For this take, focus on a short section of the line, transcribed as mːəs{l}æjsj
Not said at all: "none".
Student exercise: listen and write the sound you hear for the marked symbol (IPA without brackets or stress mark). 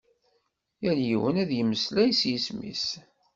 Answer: l